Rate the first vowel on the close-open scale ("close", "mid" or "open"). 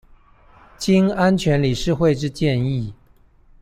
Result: close